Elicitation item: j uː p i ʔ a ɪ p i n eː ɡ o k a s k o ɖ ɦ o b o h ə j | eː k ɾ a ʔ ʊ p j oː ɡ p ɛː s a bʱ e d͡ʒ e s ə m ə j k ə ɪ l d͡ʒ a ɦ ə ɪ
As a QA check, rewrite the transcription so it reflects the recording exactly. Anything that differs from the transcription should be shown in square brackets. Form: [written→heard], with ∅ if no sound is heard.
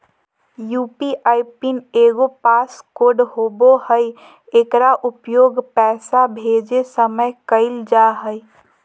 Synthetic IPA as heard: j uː p i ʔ a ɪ p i n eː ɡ o [k→p] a s k o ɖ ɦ o b o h ə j | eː k ɾ a ʔ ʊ p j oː ɡ p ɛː s a bʱ e d͡ʒ e s ə m ə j k ə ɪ l d͡ʒ a ɦ ə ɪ